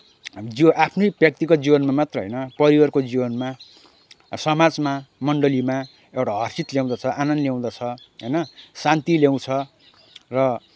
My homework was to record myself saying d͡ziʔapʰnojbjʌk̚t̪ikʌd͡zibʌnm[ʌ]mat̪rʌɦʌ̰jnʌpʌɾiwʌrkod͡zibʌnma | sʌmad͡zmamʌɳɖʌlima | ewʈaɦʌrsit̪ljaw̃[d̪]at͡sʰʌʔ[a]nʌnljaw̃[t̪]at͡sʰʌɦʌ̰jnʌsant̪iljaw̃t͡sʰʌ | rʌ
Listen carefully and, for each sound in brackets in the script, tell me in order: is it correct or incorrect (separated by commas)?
incorrect, correct, correct, incorrect